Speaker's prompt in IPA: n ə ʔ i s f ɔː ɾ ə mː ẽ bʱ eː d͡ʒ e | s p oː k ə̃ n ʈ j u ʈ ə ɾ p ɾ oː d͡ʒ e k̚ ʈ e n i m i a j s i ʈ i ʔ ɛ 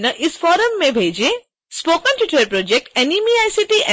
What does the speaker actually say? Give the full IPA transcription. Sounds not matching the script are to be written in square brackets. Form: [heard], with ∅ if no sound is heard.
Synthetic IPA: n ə ʔ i s f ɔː ɾ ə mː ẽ bʱ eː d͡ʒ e | s p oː k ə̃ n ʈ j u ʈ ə ɾ p ɾ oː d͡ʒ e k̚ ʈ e n i m i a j s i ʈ i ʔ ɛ